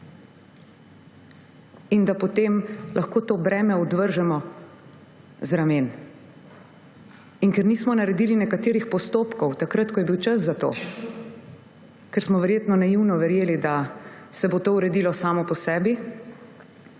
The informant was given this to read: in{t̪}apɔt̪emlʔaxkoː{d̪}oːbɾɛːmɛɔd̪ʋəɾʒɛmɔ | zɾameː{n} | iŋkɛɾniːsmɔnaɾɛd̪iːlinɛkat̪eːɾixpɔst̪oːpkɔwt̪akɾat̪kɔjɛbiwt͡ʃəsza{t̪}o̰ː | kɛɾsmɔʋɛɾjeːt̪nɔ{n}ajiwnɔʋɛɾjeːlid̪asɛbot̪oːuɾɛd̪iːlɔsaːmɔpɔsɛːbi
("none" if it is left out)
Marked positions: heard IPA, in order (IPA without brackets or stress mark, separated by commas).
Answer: d̪, t̪, n, t̪, n